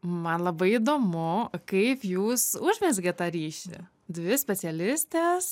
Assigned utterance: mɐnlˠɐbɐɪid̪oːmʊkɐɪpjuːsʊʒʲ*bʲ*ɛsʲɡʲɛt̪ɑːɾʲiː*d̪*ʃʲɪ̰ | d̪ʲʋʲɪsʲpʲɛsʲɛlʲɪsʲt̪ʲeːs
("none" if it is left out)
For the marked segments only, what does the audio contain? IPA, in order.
mʲ, none

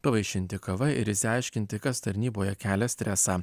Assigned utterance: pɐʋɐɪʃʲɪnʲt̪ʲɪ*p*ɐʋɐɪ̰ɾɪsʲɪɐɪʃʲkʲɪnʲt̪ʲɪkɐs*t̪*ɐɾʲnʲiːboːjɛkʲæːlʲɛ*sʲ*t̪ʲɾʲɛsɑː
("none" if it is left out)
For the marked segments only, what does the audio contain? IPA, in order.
k, t̪, sʲ

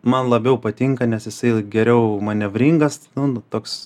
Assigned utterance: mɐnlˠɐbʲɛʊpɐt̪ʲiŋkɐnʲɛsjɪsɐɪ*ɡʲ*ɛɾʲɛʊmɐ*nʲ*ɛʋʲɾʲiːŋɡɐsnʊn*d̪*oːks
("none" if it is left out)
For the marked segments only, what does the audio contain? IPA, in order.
ɡʲ, nʲ, t̪

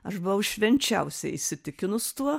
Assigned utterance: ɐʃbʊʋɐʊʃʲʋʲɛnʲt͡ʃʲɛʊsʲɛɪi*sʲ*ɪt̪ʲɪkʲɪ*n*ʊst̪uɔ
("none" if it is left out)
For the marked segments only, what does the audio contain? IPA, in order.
sʲ, n

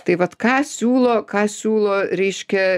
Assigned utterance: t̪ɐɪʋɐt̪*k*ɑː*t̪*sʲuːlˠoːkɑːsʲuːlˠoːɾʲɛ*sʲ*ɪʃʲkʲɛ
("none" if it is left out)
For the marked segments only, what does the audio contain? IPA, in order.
k, none, none

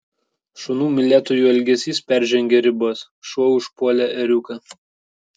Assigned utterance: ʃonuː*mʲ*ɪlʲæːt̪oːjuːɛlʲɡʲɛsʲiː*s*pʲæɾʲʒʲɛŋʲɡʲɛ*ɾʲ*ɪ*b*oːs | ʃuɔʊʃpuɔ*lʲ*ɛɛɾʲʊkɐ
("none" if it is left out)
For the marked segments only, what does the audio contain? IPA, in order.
mʲ, s, ɾʲ, b, lʲ

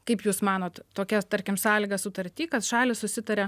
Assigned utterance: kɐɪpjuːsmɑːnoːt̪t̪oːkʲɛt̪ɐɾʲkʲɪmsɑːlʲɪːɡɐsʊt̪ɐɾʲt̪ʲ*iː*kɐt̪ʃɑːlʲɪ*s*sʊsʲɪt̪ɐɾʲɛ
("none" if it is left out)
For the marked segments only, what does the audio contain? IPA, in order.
iː, s

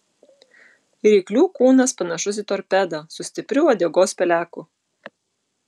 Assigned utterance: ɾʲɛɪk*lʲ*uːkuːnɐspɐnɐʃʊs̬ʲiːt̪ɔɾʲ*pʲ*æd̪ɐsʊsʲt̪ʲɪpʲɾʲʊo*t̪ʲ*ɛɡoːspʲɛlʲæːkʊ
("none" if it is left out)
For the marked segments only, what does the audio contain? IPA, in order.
lʲ, pʲ, d̪ʲ

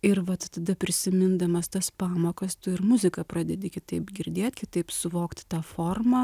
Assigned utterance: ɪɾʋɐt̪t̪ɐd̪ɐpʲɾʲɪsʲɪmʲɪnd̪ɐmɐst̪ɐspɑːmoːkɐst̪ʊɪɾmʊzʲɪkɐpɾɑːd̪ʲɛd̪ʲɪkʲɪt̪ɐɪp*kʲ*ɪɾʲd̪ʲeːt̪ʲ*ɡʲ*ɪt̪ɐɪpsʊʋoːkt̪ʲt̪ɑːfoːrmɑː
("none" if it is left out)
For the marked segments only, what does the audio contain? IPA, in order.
ɡʲ, kʲ

